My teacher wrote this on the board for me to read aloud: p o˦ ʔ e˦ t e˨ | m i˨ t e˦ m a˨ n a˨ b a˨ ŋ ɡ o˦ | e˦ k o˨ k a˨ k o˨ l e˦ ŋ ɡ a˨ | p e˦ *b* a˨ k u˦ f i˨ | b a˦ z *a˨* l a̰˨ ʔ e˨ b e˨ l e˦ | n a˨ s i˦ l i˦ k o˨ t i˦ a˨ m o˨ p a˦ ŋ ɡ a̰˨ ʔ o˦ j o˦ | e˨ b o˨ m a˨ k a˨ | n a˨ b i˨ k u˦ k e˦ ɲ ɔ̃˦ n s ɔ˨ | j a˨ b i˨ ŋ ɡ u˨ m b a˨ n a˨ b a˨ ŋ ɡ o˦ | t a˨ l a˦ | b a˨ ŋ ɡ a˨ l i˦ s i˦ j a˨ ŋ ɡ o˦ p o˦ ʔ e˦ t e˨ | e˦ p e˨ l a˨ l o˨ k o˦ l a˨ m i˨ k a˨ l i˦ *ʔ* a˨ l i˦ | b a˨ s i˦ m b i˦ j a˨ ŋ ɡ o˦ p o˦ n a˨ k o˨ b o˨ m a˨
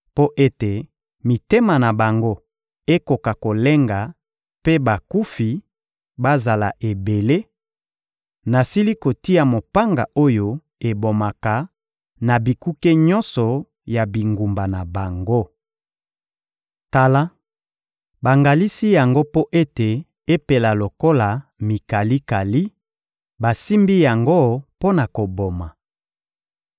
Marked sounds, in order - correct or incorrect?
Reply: correct, correct, incorrect

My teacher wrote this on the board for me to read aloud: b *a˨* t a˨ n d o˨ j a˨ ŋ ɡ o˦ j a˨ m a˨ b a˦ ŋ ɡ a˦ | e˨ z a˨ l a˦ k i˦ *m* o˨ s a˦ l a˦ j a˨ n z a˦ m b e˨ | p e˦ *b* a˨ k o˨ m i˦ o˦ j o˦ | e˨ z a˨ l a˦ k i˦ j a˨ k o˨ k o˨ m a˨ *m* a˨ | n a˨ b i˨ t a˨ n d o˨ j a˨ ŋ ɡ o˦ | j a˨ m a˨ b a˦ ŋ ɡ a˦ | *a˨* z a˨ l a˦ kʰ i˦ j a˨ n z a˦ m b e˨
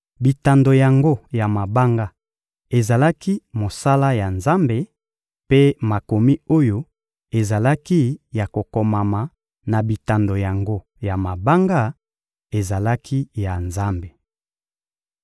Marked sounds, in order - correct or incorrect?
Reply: incorrect, correct, incorrect, correct, incorrect

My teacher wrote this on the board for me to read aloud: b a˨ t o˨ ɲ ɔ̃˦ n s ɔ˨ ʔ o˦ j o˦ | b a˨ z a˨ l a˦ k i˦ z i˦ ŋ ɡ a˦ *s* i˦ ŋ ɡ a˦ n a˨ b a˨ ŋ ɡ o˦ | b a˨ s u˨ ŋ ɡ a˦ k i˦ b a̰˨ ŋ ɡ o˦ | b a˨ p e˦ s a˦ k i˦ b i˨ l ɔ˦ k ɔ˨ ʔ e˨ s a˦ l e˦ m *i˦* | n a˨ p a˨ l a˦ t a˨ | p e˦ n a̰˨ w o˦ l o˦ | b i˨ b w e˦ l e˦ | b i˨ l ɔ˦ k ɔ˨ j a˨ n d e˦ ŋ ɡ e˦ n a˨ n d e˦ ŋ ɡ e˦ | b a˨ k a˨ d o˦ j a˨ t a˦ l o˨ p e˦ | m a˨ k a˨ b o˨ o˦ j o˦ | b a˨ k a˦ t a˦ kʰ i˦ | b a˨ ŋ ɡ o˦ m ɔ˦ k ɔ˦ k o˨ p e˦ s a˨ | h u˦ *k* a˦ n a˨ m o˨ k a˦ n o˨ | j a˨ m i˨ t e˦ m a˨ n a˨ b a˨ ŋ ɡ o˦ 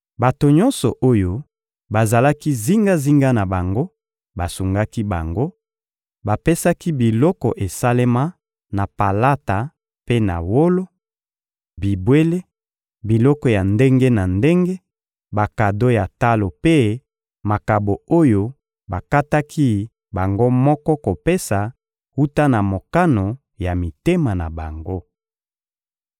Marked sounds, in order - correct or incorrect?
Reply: incorrect, incorrect, incorrect

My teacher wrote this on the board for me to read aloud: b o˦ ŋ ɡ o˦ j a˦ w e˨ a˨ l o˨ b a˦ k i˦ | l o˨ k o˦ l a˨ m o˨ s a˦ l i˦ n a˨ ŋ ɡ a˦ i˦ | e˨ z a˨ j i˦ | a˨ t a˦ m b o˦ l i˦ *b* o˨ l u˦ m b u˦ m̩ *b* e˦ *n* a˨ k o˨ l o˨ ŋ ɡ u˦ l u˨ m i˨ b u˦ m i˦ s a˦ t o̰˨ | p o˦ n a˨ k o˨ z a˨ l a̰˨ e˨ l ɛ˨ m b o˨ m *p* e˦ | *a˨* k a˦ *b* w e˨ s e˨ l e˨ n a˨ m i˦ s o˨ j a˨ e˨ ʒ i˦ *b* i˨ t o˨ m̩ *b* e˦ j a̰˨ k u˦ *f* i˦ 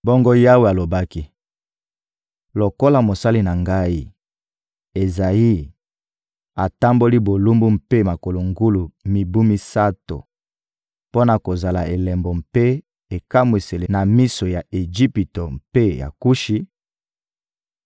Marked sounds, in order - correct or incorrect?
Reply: correct, incorrect, incorrect, correct, incorrect, incorrect, incorrect, incorrect, incorrect

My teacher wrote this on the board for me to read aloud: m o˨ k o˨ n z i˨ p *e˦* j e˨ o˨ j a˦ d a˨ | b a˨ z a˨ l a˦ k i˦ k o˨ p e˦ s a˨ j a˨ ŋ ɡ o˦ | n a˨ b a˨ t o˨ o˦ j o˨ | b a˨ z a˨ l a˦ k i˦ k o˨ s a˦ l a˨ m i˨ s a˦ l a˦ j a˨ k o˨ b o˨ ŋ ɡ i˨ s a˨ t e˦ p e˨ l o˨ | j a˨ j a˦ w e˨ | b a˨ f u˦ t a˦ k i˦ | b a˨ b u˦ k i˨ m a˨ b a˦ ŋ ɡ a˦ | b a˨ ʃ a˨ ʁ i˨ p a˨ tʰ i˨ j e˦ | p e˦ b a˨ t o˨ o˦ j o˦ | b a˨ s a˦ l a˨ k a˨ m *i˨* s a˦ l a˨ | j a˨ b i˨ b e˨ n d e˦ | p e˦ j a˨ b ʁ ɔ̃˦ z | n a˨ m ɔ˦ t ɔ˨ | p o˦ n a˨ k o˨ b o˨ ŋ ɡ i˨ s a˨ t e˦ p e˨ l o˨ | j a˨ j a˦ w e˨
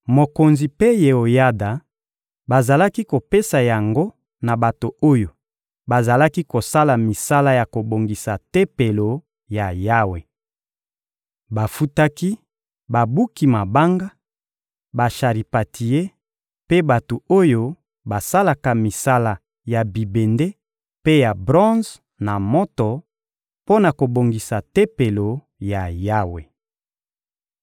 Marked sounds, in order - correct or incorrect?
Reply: correct, correct

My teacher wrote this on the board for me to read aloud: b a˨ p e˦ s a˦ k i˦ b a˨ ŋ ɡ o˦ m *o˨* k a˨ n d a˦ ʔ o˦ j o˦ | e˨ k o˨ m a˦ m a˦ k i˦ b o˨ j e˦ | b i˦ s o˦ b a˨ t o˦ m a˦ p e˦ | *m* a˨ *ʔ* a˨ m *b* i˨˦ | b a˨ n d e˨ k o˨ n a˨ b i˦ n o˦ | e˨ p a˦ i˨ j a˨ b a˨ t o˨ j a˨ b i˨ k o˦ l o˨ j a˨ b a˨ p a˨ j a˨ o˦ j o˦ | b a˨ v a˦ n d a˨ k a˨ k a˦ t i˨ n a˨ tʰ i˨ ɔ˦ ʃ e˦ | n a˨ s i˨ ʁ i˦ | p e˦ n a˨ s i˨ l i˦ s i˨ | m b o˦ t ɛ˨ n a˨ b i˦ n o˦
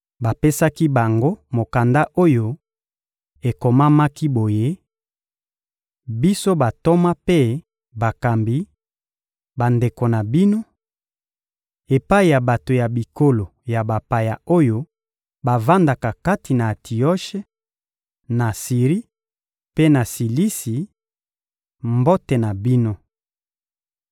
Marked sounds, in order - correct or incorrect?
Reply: correct, incorrect, incorrect, correct

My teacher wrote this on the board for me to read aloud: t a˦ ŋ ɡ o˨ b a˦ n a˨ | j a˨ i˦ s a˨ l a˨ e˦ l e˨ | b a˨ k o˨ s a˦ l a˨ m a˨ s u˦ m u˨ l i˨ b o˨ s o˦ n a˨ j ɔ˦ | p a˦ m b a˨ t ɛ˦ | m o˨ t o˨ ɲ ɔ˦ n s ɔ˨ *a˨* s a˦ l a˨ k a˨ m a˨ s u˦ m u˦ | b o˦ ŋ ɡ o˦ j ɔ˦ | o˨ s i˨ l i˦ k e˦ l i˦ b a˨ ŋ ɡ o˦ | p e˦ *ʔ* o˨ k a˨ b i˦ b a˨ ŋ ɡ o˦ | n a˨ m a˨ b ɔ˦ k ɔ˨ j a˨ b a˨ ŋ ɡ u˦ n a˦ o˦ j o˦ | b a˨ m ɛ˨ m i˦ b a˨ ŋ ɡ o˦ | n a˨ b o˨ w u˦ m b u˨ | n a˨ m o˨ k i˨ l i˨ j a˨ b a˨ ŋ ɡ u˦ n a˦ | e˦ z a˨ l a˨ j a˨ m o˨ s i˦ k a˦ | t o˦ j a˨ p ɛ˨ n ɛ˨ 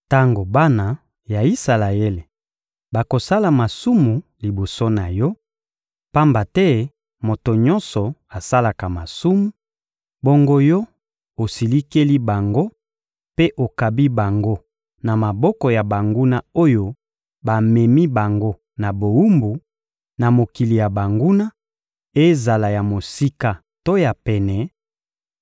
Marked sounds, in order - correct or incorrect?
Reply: correct, correct

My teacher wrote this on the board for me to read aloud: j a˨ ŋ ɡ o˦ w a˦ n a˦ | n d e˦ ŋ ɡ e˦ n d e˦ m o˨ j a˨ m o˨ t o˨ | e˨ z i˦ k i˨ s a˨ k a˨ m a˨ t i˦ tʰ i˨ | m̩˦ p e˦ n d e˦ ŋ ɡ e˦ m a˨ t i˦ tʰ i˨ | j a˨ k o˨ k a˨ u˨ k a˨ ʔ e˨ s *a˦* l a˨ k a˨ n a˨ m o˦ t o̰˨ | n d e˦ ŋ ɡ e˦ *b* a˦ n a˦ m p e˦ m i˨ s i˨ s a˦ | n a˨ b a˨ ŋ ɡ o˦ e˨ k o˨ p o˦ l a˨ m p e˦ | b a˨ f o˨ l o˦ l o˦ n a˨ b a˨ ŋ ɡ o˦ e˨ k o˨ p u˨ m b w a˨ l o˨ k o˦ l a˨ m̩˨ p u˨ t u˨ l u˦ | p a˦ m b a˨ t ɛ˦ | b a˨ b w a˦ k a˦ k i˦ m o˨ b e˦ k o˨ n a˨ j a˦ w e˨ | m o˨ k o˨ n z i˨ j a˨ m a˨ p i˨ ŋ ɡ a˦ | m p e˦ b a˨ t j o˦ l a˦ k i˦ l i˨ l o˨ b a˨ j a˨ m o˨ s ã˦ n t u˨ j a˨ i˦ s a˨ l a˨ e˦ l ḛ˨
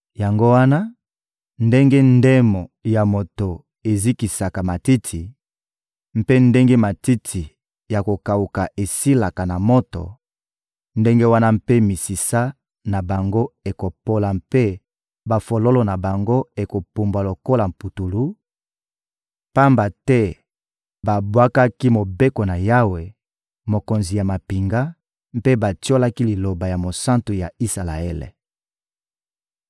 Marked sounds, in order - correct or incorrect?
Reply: incorrect, incorrect

